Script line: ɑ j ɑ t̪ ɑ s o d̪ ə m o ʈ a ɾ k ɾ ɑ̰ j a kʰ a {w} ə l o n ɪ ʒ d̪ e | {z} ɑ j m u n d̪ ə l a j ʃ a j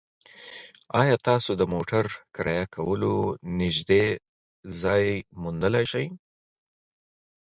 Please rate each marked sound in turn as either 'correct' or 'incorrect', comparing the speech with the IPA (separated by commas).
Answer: correct, correct